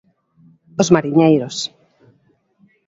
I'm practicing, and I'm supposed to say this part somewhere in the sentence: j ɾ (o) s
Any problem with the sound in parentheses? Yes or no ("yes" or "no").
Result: no